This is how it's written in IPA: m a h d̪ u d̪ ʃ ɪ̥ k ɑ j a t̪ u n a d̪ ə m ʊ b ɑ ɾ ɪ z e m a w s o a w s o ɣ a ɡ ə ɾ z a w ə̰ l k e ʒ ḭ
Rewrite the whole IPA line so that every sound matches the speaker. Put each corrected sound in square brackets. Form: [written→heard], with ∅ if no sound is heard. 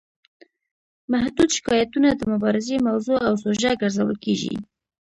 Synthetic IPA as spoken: m a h d̪ u d̪ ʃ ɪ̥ k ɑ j a t̪ u n a d̪ ə m ʊ b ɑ ɾ ɪ z e m a w [s→z] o a w s o [ɣ→ʒ] a ɡ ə ɾ z a w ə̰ l k e ʒ ḭ

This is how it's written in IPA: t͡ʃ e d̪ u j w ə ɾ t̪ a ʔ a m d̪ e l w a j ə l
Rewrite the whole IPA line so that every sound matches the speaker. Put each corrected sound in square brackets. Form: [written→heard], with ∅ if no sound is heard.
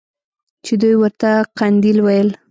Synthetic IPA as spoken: t͡ʃ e d̪ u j w ə ɾ t̪ a [ʔ→q] a [m→n] d̪ [e→i] l w a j ə l

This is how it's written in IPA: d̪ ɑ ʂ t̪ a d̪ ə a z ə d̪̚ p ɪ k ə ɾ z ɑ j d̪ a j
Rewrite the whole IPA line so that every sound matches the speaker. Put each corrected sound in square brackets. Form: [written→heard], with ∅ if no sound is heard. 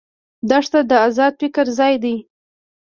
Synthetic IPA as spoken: d̪ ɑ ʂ t̪ a d̪ ə a z [ə→ɑ] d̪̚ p ɪ k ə ɾ z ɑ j d̪ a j

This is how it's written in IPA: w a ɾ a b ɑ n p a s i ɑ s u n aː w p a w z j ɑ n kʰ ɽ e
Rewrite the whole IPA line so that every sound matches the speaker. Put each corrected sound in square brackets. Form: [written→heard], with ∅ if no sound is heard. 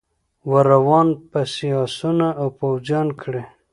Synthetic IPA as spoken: w a ɾ a [b→w] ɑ n p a s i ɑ s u n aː w p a w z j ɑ n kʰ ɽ e

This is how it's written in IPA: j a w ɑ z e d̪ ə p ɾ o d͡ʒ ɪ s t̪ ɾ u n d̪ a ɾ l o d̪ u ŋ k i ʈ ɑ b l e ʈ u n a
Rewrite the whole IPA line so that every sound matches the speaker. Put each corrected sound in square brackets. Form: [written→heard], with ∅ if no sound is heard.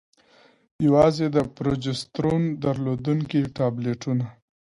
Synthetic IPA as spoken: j a w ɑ z e d̪ ə p ɾ o d͡ʒ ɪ s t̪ ɾ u n d̪ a ɾ l o d̪ u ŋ k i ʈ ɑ b l e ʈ u n a

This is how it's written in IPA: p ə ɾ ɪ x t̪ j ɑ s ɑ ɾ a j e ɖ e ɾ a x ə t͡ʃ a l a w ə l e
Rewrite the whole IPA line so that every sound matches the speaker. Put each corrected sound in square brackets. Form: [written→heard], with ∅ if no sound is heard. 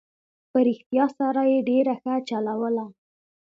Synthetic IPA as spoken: p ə ɾ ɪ x t̪ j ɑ s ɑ ɾ a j e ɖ e ɾ a x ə t͡ʃ a l a w ə l [e→a]

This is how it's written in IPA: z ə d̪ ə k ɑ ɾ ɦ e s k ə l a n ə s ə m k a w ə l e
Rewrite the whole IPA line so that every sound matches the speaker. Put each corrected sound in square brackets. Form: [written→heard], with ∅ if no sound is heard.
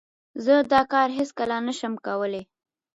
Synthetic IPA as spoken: z ə d̪ [ə→ɑ] k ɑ ɾ ɦ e s k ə l a n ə [s→ʃ] ə m k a w ə l e

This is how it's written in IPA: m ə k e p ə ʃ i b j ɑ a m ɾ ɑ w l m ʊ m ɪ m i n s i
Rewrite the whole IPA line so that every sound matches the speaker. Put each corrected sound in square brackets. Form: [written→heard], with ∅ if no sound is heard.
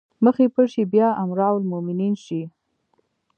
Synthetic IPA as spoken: m ə [k→x] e p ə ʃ i b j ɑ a m ɾ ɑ w l m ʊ m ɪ [m→n] i n [s→ʃ] i

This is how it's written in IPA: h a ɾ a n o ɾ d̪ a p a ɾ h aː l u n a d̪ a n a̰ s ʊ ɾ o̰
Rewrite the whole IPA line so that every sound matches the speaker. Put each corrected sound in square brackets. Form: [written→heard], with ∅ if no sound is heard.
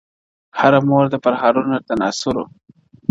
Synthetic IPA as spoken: h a ɾ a [n→m] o ɾ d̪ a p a ɾ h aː [l→ɾ] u n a [d̪→t̪] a n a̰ s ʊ ɾ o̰

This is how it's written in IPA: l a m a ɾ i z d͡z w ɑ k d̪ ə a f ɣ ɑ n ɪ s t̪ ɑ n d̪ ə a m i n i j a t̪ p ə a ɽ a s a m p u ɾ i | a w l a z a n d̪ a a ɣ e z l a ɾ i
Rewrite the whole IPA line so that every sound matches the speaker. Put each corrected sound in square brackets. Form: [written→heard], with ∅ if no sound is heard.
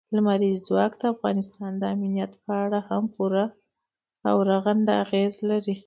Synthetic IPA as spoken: l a m a ɾ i z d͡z w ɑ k d̪ ə a f ɣ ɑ n ɪ s t̪ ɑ n d̪ ə a m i n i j a t̪ p ə a ɽ a [s→h] a m p u ɾ [i→a] | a w [l→ɾ] a [z→ɣ] a n d̪ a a ɣ e z l a ɾ i

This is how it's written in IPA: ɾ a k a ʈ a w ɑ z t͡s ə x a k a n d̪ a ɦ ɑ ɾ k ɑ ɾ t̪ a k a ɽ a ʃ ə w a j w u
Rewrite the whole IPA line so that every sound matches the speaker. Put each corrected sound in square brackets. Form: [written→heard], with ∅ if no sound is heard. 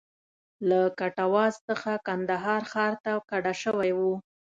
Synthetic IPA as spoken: [ɾ→l] a k a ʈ a w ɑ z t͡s ə x a k a n d̪ a ɦ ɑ ɾ [k→x] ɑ ɾ t̪ a k a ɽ a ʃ ə w a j w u

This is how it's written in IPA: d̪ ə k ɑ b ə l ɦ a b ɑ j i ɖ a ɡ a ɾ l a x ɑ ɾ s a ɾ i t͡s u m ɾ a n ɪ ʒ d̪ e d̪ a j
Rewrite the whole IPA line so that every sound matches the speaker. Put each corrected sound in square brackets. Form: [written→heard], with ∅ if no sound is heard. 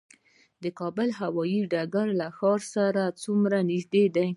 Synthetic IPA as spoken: d̪ ə k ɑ b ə l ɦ a [b→w] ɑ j i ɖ a ɡ a ɾ l a x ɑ ɾ s a ɾ [i→a] t͡s u m ɾ a n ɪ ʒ d̪ e d̪ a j

